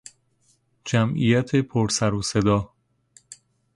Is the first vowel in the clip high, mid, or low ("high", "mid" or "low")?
low